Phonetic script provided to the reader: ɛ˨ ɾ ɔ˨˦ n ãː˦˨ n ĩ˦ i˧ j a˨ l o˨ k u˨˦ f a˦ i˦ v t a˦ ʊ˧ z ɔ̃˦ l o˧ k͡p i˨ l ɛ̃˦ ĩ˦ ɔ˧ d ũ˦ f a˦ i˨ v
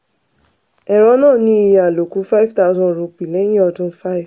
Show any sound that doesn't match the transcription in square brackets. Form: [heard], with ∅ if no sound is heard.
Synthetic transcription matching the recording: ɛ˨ ɾ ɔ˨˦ n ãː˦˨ n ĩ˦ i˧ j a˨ l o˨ k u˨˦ f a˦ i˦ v t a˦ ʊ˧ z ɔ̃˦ [ɾ] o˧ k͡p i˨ l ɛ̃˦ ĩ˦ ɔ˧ d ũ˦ f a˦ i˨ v